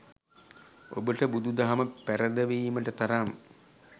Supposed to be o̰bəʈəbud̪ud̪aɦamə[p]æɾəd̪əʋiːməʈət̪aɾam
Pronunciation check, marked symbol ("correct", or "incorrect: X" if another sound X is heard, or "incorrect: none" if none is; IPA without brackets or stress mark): correct